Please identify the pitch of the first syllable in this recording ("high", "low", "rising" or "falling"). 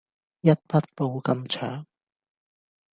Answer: high